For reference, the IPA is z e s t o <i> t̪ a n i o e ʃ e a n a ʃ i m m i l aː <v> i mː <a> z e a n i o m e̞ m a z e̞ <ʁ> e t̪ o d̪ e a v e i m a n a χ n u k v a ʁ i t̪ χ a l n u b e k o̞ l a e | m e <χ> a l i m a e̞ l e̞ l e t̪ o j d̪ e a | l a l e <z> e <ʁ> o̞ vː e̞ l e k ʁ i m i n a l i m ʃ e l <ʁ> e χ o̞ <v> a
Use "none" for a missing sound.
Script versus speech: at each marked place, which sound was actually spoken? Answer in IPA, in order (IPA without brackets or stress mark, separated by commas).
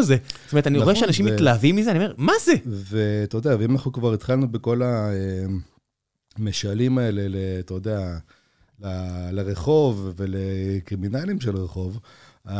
e, v, i, v, ʃ, ʁ, χ, ʁ, v